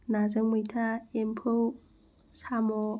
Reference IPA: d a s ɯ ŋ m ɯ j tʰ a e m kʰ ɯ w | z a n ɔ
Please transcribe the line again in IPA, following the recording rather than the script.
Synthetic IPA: n a z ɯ ŋ m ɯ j tʰ a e m pʰ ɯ w | s a m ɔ

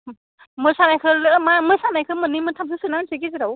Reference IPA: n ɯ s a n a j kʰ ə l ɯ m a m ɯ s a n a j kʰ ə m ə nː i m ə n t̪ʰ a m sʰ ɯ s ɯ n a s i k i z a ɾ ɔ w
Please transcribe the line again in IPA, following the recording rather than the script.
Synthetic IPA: m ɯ s a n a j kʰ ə l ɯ m a m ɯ s a n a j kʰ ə m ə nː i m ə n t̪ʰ a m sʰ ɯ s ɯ n a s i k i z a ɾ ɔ w

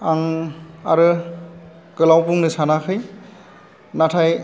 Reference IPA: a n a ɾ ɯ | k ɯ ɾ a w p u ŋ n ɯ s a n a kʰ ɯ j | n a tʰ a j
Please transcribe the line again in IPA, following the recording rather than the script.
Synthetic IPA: a ŋ a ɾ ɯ | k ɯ l a w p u ŋ n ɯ s a n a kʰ ɯ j | n a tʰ a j

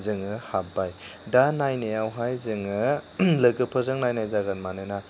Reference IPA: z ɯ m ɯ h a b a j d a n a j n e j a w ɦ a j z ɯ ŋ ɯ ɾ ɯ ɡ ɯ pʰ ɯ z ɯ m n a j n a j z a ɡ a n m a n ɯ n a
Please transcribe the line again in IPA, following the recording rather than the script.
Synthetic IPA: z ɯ ŋ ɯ h a b a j d a n a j n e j a w ɦ a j z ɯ ŋ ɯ l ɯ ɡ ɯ pʰ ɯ z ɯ ŋ n a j n a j z a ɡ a n m a n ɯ n a

